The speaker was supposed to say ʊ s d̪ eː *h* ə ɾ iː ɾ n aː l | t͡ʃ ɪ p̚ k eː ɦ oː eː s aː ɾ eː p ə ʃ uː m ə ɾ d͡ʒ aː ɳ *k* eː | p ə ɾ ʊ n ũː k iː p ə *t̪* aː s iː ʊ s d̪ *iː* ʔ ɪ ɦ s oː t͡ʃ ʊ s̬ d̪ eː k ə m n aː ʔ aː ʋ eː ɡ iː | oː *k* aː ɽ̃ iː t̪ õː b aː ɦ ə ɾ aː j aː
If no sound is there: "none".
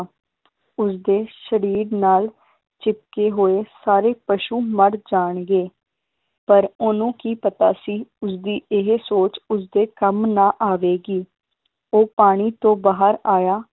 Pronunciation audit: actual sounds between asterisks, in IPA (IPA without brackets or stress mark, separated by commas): ʃ, ɡ, t̪, iː, p